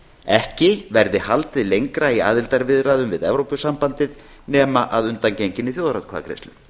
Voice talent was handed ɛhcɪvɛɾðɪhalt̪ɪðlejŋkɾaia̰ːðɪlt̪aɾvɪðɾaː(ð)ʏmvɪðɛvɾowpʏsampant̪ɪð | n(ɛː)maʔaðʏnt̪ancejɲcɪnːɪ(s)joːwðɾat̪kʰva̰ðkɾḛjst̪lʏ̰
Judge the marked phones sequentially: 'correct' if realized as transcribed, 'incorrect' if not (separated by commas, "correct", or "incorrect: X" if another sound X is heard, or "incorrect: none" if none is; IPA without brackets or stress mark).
correct, correct, incorrect: θ